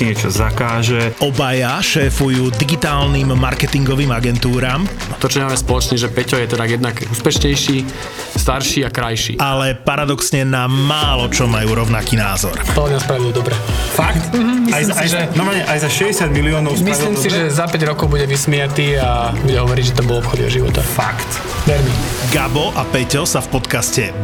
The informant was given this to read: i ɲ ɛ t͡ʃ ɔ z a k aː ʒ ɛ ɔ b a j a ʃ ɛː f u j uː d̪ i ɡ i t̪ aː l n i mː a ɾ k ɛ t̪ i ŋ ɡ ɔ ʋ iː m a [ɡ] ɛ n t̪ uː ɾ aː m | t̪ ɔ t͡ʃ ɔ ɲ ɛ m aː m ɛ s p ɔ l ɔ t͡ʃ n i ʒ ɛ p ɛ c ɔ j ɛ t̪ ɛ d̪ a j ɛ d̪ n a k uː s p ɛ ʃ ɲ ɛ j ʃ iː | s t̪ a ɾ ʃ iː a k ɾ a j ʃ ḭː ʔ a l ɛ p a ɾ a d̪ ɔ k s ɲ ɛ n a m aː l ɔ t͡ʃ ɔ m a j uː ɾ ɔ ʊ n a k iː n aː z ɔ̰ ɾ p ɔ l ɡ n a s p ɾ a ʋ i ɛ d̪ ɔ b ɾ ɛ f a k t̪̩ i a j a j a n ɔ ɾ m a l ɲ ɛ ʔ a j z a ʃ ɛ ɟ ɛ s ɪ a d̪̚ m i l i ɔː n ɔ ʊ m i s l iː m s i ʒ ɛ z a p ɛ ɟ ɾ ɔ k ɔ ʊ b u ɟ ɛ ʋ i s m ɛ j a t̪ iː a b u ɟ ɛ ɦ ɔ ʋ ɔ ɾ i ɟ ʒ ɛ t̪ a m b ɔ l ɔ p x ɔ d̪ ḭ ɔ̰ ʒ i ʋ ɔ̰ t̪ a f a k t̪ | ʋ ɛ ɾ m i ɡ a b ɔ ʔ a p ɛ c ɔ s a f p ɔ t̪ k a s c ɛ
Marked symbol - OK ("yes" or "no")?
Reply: yes